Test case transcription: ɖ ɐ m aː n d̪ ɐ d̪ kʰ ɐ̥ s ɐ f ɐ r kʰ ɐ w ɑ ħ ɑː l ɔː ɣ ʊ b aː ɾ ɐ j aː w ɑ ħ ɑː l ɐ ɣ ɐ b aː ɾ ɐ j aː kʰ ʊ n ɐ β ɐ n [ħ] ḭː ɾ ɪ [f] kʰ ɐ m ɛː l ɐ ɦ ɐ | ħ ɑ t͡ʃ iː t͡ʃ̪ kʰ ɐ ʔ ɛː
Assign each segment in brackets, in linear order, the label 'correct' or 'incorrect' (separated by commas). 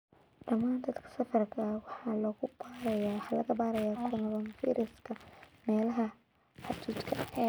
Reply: incorrect, incorrect